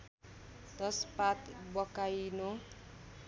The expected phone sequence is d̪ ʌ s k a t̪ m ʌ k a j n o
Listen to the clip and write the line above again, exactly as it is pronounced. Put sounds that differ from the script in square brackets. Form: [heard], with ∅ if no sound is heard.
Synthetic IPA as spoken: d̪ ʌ s [p] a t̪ [b] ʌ k a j n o